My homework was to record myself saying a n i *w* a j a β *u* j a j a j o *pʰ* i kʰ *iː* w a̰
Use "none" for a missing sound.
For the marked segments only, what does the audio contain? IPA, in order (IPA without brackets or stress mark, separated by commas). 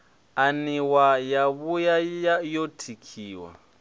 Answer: w, u, tʰ, iː